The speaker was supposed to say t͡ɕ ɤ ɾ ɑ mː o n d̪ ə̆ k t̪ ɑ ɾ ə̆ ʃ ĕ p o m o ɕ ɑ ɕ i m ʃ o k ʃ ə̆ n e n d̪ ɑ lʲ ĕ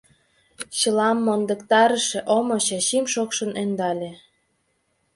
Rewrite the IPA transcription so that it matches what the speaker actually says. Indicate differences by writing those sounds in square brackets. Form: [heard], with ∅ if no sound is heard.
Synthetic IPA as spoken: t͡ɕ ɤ [l] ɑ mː o n d̪ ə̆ k t̪ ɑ ɾ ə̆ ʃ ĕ [ʔ] o m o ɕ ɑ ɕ i m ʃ o k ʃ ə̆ n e n d̪ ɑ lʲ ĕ